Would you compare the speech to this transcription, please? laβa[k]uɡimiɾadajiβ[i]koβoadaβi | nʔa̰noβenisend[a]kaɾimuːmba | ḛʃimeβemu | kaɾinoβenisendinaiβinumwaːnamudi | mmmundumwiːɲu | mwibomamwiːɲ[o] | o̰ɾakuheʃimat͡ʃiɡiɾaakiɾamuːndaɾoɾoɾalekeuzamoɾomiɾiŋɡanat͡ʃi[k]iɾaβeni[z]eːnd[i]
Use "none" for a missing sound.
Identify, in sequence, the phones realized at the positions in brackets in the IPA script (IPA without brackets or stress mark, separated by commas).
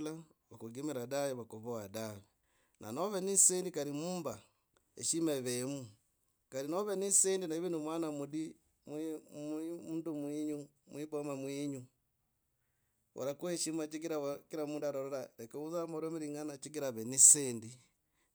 k, a, i, u, ɡ, s, i